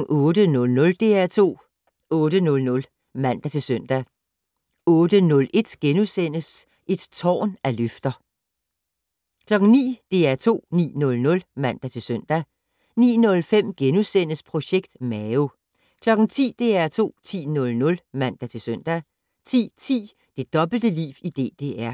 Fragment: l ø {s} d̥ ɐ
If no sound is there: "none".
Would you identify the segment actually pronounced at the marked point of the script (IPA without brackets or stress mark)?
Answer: f